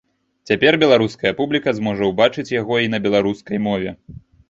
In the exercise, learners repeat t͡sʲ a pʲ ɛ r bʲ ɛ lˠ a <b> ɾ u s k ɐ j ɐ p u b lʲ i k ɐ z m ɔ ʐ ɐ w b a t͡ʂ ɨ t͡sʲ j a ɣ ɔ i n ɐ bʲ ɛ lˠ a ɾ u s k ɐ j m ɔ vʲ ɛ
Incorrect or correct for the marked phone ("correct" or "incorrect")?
incorrect